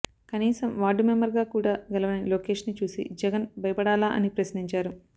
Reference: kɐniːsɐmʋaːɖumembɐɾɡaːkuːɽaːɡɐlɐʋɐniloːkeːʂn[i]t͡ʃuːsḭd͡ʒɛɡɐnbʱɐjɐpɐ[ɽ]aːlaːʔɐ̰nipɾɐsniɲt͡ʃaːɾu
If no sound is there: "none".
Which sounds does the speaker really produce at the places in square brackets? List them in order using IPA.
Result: i, ɽ

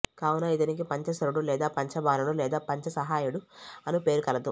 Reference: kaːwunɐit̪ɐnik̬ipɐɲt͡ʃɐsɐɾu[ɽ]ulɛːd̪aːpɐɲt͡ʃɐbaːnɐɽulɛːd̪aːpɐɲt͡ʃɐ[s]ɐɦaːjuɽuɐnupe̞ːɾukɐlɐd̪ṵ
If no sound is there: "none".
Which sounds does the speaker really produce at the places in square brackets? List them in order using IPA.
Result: ɽ, s

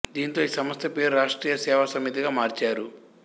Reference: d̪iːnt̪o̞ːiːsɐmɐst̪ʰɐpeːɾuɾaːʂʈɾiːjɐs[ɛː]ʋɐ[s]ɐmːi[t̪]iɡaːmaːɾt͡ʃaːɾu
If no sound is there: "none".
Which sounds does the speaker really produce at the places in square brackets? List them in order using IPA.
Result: ɛː, s, t̪

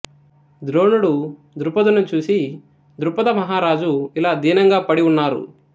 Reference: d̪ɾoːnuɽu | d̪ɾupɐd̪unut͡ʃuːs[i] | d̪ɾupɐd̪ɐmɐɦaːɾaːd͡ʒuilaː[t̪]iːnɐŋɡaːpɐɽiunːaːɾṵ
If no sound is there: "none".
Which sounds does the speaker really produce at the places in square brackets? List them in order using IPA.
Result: i, d̪

